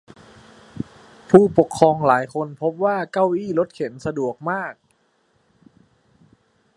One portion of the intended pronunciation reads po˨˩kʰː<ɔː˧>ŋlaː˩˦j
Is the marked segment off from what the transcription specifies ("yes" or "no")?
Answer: no